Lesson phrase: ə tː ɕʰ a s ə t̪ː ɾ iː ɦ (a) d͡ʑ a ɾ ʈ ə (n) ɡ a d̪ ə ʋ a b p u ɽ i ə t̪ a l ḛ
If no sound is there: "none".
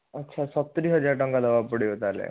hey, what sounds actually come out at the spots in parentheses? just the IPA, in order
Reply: ə, ŋ

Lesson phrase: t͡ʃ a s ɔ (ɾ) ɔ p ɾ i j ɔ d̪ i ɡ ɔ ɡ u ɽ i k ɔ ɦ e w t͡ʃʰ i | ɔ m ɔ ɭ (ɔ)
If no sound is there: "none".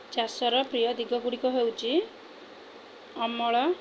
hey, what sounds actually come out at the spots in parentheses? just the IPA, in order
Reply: ɾ, ɔ

